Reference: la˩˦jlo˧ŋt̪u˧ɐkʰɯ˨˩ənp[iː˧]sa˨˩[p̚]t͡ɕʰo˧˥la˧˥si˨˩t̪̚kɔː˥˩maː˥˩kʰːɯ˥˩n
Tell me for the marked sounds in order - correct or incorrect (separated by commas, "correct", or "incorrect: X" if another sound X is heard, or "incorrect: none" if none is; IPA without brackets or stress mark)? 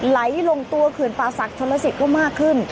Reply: incorrect: aː˧, incorrect: k̚